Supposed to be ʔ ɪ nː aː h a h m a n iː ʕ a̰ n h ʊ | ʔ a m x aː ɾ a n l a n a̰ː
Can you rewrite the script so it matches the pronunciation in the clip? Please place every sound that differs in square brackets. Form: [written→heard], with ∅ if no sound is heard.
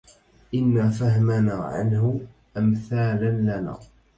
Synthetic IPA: ʔ ɪ nː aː [h→f] a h m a n [iː→aː] ʕ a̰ n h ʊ | ʔ a m [x→θ] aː [ɾ→l] a n l a n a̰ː